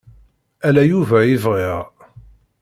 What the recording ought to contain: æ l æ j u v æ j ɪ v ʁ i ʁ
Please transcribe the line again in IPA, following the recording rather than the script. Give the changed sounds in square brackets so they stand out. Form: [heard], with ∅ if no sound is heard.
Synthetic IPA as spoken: æ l æ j u v æ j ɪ v ʁ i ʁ